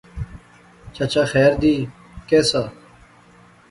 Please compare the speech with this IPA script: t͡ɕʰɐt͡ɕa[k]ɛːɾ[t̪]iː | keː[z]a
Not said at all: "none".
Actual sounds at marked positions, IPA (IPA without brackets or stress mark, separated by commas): x, d̪, s